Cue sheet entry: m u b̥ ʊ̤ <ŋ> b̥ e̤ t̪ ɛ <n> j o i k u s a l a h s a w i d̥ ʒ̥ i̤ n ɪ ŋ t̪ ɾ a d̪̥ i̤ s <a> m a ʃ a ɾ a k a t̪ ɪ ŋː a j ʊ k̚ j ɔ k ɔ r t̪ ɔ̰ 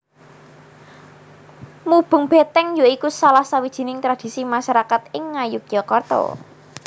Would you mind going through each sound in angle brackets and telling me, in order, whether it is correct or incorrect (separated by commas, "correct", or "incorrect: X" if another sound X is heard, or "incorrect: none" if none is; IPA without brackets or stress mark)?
correct, incorrect: ŋ, incorrect: i